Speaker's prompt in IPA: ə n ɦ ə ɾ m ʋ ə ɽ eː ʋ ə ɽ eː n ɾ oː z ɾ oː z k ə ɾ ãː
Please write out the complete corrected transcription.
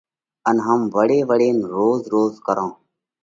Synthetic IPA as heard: ə n ɦ ə m ʋ ə ɽ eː ʋ ə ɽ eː n ɾ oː z ɾ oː z k ə ɾ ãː